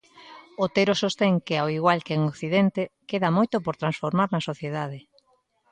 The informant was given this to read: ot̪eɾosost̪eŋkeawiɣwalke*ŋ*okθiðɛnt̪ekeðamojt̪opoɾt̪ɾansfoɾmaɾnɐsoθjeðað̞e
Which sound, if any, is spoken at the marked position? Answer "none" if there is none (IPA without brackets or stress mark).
ŋ